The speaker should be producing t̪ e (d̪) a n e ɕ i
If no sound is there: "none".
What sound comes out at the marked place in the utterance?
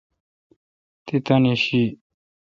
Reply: t̪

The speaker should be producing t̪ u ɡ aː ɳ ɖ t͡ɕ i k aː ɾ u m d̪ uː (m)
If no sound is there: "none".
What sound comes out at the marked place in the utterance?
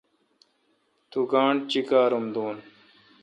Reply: n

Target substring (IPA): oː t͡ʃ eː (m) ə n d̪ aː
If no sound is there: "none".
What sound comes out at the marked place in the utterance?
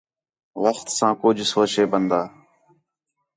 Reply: b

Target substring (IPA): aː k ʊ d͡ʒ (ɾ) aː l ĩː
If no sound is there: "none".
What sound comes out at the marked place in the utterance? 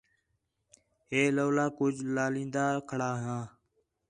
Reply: l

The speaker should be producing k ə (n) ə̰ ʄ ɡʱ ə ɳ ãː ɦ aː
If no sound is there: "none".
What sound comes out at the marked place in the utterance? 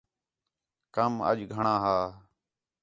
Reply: m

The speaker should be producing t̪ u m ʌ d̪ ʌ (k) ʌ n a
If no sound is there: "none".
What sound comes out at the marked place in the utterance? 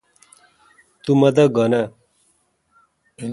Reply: ɡ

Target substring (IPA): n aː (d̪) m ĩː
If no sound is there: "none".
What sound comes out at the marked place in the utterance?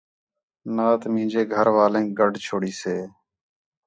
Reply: t̪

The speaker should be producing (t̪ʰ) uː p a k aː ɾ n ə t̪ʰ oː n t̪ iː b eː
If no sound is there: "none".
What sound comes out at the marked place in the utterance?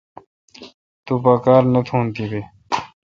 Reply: t̪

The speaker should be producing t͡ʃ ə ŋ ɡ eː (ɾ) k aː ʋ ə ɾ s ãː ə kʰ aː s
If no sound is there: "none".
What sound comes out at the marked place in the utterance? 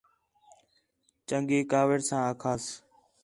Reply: none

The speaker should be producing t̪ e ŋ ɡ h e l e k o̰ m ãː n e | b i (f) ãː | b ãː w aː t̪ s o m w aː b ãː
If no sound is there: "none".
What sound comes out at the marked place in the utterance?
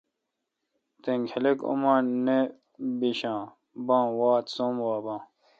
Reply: ɕ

